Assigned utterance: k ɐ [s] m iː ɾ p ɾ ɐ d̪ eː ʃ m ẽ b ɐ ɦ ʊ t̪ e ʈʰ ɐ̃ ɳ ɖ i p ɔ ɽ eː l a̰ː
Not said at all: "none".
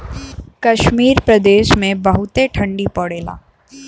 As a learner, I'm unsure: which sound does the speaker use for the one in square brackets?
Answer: ʃ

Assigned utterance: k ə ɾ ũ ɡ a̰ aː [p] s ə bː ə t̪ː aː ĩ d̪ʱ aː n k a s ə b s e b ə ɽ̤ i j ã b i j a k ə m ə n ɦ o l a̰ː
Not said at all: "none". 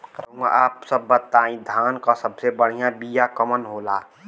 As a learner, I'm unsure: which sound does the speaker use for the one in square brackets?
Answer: p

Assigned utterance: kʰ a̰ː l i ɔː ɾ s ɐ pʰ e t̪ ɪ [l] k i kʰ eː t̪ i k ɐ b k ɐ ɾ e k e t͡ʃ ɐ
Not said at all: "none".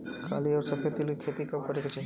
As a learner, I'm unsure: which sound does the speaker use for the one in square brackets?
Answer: l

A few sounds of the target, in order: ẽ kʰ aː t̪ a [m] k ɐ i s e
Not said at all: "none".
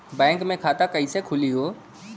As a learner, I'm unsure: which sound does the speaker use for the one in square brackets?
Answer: none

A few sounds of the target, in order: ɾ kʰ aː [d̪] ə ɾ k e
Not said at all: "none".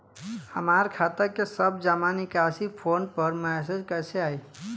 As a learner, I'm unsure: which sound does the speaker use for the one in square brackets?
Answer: t̪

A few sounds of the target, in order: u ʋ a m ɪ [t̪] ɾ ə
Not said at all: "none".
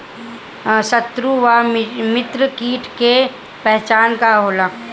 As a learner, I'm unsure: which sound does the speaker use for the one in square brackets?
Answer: t̪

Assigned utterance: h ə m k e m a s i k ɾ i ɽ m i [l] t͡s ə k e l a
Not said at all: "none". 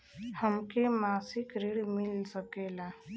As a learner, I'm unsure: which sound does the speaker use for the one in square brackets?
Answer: l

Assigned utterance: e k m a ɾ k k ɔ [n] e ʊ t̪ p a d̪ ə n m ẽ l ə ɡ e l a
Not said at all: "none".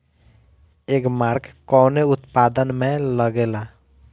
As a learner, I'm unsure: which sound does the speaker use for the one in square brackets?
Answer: n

